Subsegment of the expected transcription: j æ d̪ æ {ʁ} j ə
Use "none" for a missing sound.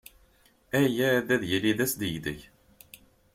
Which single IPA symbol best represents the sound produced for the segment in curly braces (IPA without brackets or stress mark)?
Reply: ð